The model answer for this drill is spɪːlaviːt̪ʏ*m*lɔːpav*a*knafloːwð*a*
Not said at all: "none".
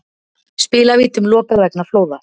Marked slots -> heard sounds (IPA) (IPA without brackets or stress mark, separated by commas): m, ɛ, a